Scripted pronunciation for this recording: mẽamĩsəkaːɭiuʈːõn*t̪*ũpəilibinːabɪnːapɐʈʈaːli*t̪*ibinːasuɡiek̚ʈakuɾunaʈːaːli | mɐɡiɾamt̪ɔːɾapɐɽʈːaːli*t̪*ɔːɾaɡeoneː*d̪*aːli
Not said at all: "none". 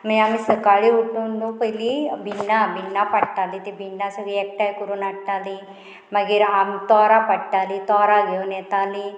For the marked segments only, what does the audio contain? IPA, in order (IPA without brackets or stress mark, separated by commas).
d̪, t̪, t̪, t̪